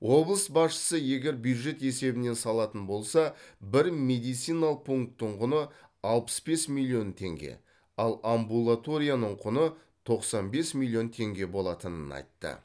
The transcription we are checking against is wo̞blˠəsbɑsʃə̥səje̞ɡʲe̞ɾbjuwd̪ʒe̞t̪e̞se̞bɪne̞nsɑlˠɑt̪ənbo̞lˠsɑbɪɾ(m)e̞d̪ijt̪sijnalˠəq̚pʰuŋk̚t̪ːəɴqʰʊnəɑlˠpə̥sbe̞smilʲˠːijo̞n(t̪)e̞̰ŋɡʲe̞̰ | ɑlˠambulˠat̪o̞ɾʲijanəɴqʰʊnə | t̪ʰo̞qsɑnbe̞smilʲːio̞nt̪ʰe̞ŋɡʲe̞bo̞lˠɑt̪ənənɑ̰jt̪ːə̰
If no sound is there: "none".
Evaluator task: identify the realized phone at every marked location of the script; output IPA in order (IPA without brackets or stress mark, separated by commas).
m, t̪ʰ